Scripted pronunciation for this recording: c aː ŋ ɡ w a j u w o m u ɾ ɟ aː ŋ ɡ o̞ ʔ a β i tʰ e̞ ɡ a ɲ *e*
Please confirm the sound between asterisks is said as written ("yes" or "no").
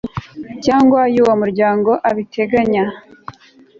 no